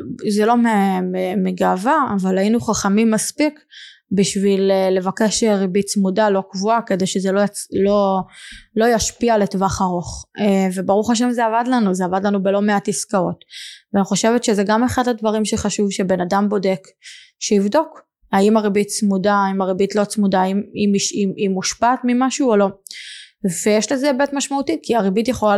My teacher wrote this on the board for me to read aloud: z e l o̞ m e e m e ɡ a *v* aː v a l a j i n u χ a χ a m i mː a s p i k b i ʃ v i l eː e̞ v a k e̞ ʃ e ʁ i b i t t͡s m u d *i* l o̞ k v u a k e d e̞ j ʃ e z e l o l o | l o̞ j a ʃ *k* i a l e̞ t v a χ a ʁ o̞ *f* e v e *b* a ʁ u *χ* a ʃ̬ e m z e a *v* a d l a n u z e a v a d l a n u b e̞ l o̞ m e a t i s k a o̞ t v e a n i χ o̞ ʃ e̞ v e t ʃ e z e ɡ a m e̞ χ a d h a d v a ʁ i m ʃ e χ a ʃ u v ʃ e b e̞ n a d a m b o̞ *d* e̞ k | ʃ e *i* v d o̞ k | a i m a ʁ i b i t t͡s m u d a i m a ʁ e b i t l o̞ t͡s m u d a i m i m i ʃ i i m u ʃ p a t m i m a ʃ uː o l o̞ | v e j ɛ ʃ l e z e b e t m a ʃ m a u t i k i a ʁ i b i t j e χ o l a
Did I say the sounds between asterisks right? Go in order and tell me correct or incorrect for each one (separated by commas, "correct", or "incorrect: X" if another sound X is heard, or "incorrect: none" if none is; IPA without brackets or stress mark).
correct, incorrect: a, incorrect: p, incorrect: χ, correct, correct, correct, correct, correct